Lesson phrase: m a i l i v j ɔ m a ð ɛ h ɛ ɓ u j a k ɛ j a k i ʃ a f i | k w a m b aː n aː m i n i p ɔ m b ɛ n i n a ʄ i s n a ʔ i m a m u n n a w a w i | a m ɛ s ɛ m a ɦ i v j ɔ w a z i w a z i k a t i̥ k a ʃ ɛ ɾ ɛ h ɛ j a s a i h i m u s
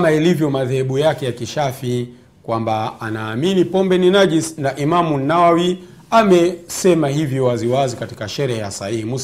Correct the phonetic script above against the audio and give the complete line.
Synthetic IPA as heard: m a i l i v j ɔ m a ð ɛ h ɛ ɓ u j a k ɛ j a k i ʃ a f i | k w a m b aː n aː m i n i p ɔ m b ɛ n i n a ʄ i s n a ʔ i m a m u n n a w a w i | a m ɛ s ɛ m a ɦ i v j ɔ w a z i w a z i k a t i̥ k a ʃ ɛ ɾ ɛ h ɛ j a s a i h i m u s